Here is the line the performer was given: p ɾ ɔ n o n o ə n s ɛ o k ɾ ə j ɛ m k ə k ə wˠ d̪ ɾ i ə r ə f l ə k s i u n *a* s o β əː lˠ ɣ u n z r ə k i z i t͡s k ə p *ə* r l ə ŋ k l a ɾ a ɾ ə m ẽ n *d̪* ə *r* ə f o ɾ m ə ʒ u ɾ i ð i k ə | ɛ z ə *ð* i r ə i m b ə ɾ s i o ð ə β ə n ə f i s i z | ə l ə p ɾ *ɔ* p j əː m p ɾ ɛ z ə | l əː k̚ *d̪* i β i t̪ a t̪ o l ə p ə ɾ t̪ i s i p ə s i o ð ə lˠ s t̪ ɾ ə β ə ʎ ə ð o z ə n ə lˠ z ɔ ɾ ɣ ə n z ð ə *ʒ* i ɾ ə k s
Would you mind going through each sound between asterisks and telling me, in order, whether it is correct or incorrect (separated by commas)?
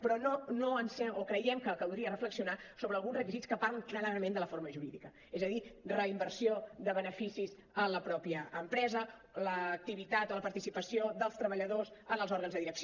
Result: correct, incorrect, correct, incorrect, correct, correct, incorrect, incorrect